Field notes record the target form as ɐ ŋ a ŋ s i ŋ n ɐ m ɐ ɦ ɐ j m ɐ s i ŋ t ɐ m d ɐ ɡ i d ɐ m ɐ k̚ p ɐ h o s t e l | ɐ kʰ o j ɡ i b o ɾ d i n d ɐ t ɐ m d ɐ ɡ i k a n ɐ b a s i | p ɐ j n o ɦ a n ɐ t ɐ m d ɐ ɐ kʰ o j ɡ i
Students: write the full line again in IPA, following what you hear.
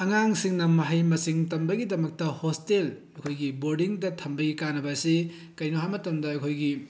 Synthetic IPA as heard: ɐ ŋ a ŋ s i ŋ n ɐ m ɐ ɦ ɐ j m ɐ s i ŋ t ɐ m b ɐ ɡ i d ɐ m ɐ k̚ t ɐ h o s t e l | ɐ kʰ o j ɡ i b o ɾ d i ŋ d ɐ tʰ ɐ m b ɐ ɡ i k a n ɐ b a s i | k ɐ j n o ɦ a m ɐ t ɐ m d ɐ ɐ kʰ o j ɡ i